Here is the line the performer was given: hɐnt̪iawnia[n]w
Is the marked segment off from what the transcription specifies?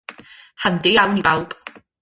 yes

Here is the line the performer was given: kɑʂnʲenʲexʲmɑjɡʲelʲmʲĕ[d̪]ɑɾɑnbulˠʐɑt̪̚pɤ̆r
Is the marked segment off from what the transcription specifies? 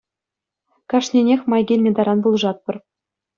no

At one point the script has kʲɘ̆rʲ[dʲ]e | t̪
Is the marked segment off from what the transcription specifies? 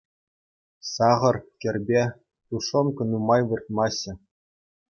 yes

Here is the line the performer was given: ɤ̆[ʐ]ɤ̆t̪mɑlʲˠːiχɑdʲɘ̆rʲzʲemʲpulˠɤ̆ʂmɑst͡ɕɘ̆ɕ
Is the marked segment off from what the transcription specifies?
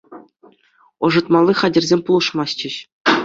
no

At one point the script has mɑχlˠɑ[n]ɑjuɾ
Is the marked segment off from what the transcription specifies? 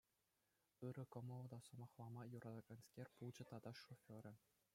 yes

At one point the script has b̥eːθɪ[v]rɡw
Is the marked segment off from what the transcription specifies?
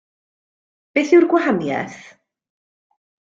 yes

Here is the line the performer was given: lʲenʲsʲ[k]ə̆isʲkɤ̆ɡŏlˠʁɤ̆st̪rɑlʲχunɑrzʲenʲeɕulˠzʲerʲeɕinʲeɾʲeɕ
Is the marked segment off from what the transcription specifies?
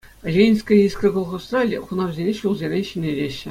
no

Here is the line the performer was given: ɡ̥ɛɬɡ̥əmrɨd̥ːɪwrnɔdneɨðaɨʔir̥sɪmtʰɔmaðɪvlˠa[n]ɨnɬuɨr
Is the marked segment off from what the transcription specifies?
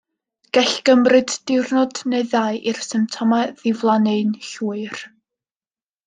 no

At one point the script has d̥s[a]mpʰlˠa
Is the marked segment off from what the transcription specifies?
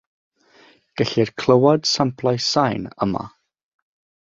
no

